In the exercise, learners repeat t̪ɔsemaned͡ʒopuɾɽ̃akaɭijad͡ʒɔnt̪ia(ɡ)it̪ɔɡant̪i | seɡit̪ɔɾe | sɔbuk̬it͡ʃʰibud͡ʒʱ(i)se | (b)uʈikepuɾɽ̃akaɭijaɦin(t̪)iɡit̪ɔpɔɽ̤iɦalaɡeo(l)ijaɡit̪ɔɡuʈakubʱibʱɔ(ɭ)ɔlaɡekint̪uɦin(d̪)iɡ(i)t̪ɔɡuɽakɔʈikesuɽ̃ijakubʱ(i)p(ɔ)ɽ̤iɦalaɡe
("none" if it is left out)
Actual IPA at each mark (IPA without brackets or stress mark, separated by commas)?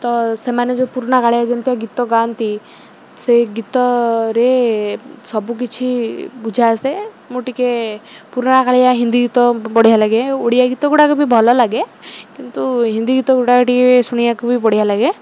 ɡ, a, m, d̪, ɽ, l, d̪, i, i, ɔ